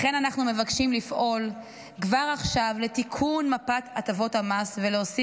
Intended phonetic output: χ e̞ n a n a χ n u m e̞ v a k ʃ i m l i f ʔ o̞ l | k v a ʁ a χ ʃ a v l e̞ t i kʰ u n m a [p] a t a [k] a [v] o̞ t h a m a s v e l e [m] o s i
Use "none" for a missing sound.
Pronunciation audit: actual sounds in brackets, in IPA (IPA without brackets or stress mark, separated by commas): p, t, v, none